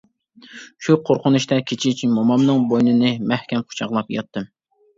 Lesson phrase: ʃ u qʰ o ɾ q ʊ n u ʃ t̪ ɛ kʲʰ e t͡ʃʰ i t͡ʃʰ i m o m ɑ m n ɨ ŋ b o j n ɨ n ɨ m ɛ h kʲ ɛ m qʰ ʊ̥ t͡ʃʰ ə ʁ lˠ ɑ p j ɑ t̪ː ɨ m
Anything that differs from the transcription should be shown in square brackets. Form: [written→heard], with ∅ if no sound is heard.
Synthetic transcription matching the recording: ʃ u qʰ o ɾ q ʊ n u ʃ t̪ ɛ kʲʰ e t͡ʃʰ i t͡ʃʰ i m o m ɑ m n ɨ ŋ b o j n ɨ n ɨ m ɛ h kʲ ɛ m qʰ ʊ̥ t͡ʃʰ [ə→ɑ] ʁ lˠ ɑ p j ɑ t̪ː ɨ m